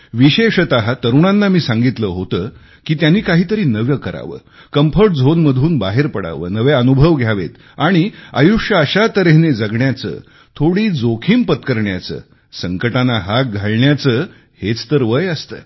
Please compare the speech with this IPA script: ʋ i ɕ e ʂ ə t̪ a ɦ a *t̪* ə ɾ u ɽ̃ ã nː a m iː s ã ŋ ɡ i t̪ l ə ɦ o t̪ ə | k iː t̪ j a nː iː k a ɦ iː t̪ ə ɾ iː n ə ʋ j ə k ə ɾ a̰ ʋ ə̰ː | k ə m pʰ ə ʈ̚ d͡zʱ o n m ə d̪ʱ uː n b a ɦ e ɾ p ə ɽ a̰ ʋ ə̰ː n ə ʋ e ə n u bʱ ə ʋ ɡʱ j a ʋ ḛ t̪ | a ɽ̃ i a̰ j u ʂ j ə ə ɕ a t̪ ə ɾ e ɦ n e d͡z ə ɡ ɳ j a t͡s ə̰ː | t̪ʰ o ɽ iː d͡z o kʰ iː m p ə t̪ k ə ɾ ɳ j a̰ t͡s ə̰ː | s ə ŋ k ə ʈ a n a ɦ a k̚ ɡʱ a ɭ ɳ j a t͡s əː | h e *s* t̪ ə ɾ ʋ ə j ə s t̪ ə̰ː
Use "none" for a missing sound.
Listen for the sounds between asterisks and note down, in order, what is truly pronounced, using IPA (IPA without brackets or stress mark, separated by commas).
t̪, t͡s